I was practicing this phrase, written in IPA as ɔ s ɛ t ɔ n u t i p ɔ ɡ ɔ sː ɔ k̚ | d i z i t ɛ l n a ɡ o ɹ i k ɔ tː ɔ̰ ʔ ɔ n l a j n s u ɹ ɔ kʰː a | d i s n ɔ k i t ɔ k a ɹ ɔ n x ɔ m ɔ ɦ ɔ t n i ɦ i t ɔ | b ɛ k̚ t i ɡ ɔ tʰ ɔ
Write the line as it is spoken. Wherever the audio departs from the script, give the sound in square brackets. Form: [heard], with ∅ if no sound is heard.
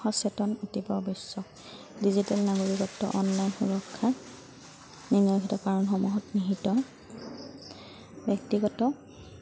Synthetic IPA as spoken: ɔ s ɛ t ɔ n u t i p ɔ [b] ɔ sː ɔ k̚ | d i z i t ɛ l n a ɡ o ɹ i k ɔ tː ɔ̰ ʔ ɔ n l a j n [x] u ɹ ɔ kʰː a | [n] i [∅] n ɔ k i t ɔ k a ɹ ɔ n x ɔ m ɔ ɦ ɔ t n i ɦ i t ɔ | b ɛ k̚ t i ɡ ɔ [t] ɔ